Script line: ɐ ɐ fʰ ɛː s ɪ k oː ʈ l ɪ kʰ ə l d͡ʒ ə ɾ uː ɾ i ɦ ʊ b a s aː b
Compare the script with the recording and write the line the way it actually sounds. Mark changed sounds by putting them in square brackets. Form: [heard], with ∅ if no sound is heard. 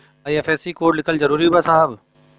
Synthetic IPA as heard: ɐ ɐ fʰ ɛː s [i] k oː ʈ l ɪ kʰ ə l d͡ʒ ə ɾ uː ɾ i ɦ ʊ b a s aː b